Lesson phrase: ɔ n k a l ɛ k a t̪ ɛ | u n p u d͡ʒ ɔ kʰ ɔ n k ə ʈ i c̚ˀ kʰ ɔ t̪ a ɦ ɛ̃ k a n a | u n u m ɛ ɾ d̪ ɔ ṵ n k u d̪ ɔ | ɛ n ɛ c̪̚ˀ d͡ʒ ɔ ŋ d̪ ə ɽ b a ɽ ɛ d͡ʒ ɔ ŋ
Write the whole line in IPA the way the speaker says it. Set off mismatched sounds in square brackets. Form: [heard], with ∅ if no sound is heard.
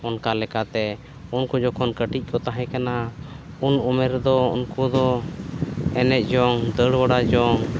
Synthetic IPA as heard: ɔ n k a l ɛ k a t̪ ɛ | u n [k] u d͡ʒ ɔ kʰ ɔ n k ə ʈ i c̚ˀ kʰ ɔ t̪ a ɦ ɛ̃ k a n a | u n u m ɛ ɾ d̪ ɔ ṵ n k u d̪ ɔ | ɛ n ɛ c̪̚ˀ d͡ʒ ɔ ŋ d̪ ə ɽ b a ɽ [a] d͡ʒ ɔ ŋ